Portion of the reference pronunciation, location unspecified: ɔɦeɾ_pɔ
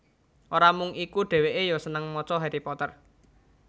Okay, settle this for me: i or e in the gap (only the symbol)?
i